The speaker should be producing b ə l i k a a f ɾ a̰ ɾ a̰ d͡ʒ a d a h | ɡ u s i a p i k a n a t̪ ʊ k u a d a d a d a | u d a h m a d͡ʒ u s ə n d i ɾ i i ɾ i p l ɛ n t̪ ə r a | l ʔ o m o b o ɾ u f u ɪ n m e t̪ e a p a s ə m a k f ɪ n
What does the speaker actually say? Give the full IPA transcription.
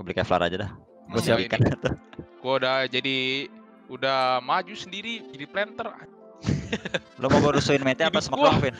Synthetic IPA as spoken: b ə l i k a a f l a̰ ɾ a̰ d͡ʒ a d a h | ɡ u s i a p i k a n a t̪ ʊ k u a d a d͡ʒ a d i | u d a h m a d͡ʒ u s ə n d i ɾ i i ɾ i p l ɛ n t̪ ə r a | l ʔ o m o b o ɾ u s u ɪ n m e t̪ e a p a s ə m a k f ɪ n